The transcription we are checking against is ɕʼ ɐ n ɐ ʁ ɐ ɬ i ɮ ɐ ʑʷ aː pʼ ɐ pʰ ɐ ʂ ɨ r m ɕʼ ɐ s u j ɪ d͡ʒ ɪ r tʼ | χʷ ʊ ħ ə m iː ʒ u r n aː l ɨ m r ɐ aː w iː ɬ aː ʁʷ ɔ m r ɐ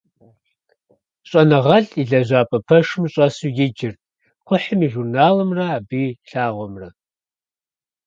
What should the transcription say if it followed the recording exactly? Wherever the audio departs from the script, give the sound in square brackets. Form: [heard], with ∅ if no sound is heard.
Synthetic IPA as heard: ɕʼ ɐ n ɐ ʁ ɐ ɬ i ɮ ɐ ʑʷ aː pʼ ɐ pʰ ɐ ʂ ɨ [∅] m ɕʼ ɐ s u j ɪ d͡ʒ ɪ r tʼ | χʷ ʊ ħ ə m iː ʒ u r n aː l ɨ m r ɐ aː [b] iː ɬ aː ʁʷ ɔ m r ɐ